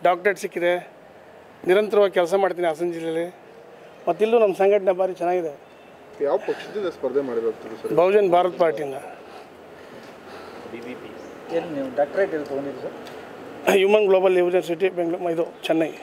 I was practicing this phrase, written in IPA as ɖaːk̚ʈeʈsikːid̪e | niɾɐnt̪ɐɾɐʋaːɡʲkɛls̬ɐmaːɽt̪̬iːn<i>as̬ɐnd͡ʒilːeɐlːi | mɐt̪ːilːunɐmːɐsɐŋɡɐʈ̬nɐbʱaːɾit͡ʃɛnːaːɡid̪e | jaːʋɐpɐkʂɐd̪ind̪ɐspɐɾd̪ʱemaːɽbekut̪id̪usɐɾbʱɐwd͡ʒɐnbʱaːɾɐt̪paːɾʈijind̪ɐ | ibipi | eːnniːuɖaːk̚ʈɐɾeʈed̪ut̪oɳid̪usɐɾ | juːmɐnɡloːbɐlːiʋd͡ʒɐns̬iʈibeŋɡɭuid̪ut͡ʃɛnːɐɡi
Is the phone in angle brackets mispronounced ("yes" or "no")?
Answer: no